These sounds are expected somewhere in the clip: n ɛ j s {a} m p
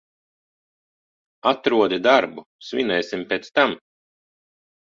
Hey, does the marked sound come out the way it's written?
no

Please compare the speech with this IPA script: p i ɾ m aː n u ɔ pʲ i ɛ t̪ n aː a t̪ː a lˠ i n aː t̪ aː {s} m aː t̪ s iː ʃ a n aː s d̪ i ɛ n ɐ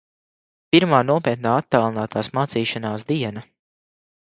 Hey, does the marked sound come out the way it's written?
yes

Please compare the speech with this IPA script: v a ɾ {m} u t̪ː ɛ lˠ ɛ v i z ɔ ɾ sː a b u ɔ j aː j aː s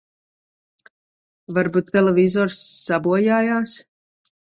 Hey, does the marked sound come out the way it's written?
no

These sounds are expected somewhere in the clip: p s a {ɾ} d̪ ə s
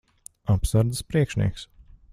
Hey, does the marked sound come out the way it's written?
yes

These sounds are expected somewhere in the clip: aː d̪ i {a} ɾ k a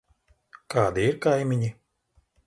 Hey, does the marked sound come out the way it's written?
no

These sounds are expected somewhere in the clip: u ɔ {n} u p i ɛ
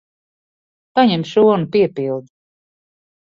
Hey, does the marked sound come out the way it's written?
yes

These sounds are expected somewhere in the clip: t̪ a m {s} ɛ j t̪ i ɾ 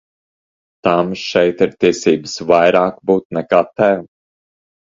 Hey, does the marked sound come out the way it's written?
no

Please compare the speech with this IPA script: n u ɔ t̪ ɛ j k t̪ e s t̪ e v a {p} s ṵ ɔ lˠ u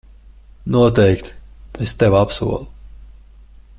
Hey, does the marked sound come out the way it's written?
yes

